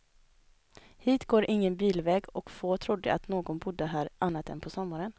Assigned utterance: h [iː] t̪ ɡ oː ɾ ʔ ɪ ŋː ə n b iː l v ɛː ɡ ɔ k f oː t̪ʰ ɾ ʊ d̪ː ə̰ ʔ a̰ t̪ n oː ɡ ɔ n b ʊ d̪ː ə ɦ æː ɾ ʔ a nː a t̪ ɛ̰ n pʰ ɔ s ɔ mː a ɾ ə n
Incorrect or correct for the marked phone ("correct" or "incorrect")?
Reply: correct